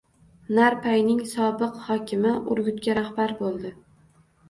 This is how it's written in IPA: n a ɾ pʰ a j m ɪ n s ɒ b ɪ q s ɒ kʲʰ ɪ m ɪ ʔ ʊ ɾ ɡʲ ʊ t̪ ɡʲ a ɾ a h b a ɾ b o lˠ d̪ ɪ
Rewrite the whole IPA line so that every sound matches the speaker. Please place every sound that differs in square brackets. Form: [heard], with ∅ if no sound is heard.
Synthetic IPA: n a ɾ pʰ a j [n] ɪ [ŋ] s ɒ b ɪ q [h] ɒ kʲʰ ɪ m ɪ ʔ ʊ ɾ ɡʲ ʊ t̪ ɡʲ a ɾ a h b a ɾ b o lˠ d̪ ɪ